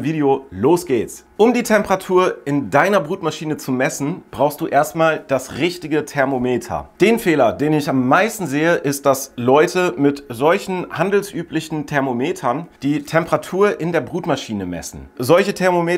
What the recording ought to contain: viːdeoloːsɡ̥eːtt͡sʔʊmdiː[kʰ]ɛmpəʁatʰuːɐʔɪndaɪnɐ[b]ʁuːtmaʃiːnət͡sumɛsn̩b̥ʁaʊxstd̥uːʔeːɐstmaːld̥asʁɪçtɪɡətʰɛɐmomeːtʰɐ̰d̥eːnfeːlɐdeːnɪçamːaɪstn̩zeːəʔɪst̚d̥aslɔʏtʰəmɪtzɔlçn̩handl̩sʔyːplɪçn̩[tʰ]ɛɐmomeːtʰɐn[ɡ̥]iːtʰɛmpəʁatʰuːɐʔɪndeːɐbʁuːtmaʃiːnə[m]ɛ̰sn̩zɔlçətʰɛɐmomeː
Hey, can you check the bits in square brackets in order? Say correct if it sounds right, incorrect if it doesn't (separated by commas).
incorrect, correct, correct, incorrect, correct